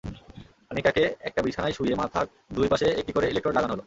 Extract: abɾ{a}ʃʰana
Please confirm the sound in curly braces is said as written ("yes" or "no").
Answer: no